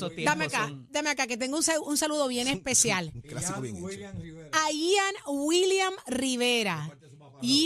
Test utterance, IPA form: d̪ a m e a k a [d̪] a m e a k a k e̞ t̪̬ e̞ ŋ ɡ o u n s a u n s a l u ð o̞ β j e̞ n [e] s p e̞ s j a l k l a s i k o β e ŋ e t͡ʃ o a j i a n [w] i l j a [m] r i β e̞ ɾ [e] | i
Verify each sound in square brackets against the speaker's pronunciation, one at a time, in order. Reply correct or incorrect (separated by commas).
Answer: correct, correct, correct, correct, incorrect